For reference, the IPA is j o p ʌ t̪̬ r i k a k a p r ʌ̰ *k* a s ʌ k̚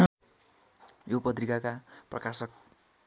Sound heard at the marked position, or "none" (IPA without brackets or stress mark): k